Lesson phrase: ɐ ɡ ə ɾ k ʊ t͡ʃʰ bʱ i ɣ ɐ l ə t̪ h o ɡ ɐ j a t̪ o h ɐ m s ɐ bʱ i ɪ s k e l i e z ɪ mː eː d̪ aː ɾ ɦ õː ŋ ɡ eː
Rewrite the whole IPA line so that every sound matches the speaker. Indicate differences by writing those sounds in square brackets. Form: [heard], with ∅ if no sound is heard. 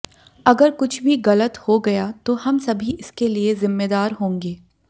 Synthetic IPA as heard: ɐ ɡ ə ɾ k ʊ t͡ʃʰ bʱ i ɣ ɐ l ə t̪ h o ɡ ɐ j a t̪ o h ɐ m s ɐ bʱ i ɪ s k e l i e z ɪ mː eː d̪ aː ɾ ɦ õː ŋ ɡ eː